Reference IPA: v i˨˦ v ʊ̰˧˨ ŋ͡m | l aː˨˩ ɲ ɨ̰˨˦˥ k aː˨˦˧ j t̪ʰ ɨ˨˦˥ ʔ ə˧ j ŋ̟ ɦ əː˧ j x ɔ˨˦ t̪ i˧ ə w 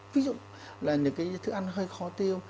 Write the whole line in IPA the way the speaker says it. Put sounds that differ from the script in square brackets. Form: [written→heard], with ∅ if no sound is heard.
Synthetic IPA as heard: v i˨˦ [v→z] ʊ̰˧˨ ŋ͡m | l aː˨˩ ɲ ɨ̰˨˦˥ k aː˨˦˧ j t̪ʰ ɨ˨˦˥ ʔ [ə˧→a˧] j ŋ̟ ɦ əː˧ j x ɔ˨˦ t̪ i˧ ə w